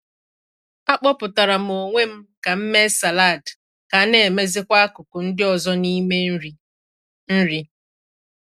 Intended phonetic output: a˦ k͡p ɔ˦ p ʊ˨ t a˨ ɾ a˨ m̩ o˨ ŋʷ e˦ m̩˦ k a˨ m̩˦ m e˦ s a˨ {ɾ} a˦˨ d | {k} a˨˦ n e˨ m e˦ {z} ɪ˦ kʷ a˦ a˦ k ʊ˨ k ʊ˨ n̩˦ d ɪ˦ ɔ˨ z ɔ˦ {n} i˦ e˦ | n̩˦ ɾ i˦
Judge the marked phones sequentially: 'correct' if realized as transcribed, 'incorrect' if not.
incorrect, correct, correct, correct

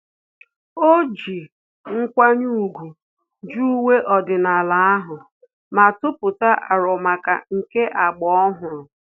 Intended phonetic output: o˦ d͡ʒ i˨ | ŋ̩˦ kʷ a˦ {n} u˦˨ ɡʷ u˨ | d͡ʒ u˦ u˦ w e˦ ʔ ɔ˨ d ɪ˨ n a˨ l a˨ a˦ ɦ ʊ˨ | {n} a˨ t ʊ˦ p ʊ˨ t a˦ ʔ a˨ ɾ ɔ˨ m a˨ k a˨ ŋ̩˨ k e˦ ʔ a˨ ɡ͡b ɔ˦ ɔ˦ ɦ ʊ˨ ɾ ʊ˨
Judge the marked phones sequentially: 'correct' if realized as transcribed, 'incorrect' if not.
incorrect, incorrect

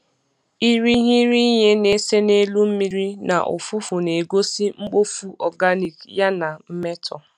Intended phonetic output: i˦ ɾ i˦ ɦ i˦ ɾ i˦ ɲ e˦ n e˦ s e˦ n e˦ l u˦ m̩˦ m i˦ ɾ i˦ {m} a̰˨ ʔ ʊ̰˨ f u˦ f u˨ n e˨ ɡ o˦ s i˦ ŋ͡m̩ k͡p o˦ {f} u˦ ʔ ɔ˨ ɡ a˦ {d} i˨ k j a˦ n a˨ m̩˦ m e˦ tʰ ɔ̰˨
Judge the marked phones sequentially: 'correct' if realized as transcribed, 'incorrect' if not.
incorrect, correct, incorrect

